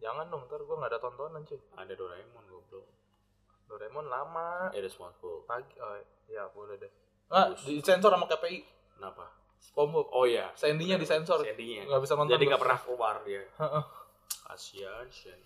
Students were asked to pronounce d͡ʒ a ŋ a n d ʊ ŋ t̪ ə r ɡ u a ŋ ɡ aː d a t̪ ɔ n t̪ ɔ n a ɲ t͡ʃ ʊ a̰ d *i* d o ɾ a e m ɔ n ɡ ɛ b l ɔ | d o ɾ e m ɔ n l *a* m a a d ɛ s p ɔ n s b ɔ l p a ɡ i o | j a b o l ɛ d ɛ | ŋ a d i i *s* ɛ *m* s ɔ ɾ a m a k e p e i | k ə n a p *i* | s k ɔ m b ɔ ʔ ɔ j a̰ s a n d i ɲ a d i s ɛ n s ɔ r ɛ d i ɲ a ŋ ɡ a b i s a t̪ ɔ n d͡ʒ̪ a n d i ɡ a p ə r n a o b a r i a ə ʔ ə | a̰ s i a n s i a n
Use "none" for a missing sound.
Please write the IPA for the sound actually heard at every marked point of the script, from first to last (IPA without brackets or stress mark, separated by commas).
a, a, s, n, a